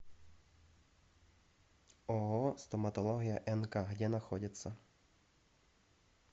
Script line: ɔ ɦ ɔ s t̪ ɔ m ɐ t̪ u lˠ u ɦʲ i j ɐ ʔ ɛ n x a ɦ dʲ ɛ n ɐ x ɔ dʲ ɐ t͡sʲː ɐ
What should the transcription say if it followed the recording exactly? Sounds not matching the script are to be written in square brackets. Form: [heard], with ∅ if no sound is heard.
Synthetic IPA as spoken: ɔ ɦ ɔ s t̪ ɔ m ɐ t̪ [ɔ] lˠ [ɔ] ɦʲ i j ɐ ʔ ɛ n [k] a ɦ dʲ ɛ n ɐ x ɔ dʲ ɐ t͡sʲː ɐ

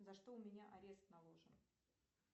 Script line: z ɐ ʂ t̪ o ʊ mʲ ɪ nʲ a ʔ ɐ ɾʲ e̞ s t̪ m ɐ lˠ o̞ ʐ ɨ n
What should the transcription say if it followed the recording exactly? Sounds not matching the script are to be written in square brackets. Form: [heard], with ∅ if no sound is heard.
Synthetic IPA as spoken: z ɐ ʂ t̪ o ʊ mʲ ɪ nʲ a ʔ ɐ ɾʲ e̞ s t̪ [n] ɐ lˠ o̞ ʐ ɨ n

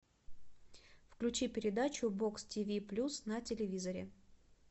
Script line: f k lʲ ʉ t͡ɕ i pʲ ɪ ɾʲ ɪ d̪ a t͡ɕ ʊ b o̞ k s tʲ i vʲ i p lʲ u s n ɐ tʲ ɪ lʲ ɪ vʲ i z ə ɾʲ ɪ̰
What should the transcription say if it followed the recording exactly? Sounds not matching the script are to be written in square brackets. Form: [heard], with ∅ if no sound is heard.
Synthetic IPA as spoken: f k lʲ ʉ t͡ɕ i pʲ ɪ ɾʲ ɪ d̪ a t͡ɕ ʊ b o̞ k s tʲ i vʲ i p lʲ u s n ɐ tʲ ɪ lʲ ɪ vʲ i z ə ɾʲ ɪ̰

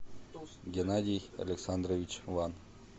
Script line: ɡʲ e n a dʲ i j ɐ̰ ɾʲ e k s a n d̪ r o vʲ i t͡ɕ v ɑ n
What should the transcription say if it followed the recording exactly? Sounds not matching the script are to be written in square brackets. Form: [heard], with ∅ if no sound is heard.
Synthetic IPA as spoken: ɡʲ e n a dʲ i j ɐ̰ [lʲ] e k s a n d̪ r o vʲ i t͡ɕ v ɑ n

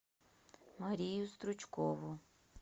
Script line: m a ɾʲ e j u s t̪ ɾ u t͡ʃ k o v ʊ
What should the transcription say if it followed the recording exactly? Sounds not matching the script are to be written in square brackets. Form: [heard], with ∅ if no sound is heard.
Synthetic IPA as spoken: m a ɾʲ [i] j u s t̪ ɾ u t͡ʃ k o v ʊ

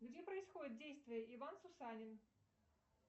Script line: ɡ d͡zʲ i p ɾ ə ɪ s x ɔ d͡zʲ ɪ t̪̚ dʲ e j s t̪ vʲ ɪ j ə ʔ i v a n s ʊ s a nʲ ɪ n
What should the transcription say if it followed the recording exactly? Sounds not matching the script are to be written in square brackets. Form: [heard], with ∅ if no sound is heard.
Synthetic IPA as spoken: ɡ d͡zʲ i p ɾ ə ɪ s x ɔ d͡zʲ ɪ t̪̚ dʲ e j s t̪ vʲ ɪ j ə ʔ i v a n s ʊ s a nʲ ɪ n

